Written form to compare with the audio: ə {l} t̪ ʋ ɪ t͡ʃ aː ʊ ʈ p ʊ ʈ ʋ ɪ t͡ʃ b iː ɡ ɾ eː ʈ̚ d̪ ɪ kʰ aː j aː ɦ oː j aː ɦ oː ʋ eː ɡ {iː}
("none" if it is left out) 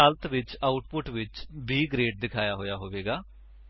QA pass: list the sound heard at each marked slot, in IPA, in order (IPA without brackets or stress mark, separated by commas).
l, aː